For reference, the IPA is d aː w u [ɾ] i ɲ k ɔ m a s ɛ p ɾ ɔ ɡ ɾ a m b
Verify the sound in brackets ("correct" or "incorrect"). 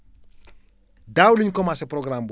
incorrect